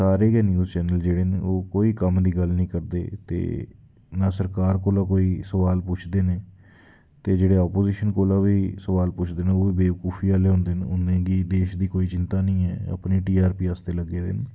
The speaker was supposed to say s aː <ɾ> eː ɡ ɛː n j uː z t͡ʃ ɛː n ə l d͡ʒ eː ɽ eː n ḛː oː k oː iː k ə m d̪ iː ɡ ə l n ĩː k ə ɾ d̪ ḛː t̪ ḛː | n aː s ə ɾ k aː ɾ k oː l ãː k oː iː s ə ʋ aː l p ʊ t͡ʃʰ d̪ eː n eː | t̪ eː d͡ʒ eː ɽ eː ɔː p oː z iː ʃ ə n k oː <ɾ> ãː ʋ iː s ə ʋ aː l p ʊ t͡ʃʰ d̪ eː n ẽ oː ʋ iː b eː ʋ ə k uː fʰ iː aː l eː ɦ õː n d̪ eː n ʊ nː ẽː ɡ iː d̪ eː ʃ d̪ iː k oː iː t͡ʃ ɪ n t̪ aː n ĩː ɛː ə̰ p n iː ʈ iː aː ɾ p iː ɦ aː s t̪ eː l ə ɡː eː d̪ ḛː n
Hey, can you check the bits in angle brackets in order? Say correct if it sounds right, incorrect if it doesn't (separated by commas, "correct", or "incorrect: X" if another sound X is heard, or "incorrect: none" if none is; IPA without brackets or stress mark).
correct, incorrect: l